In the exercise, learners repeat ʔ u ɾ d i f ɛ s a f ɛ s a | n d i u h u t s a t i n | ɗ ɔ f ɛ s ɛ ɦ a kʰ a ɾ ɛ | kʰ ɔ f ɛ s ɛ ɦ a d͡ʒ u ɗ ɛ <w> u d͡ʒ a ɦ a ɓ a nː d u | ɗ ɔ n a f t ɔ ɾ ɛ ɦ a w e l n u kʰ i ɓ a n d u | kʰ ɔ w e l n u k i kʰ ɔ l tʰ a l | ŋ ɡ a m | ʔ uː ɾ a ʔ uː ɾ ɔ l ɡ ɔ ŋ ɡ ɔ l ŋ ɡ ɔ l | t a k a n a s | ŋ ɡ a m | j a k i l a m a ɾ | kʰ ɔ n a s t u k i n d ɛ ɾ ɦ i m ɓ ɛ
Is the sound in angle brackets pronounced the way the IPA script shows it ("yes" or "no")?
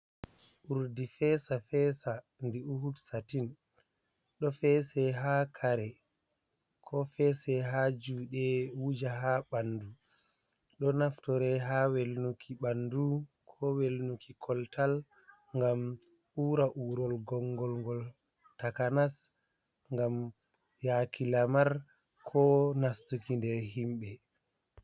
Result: yes